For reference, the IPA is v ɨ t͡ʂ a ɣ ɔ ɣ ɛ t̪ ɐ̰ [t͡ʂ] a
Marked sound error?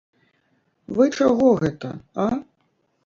yes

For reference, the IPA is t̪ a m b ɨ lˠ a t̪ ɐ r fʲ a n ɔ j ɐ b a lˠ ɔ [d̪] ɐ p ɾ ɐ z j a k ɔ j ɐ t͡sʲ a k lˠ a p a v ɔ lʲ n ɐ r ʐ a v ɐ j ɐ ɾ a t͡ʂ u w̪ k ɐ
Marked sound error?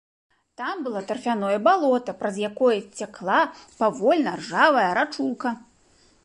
yes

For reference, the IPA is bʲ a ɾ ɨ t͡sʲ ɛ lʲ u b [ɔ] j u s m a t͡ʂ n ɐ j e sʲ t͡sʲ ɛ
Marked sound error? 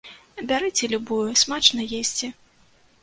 yes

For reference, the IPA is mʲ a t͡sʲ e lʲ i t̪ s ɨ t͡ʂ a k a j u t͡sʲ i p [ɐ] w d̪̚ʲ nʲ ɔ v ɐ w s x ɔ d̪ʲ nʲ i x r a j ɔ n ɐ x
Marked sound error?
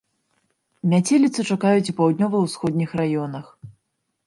yes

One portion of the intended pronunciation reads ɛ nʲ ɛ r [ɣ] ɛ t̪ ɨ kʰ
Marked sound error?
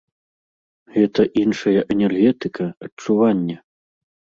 no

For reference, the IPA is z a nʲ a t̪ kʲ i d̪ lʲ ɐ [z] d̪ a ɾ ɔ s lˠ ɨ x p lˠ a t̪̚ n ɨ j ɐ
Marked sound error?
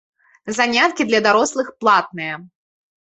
yes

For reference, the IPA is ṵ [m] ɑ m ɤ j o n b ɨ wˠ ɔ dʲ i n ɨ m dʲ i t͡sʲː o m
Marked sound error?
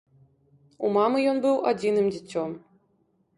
no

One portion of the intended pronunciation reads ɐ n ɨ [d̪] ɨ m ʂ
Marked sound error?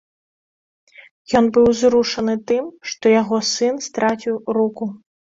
yes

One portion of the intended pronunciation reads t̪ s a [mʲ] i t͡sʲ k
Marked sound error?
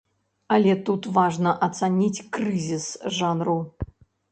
yes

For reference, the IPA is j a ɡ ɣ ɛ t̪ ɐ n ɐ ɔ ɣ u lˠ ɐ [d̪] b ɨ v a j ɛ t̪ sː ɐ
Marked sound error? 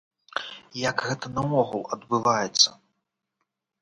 no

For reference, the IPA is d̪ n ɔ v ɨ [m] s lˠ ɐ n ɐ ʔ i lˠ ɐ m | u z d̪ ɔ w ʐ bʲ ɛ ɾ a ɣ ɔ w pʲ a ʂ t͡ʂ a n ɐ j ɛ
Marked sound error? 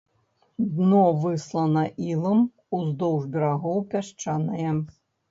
yes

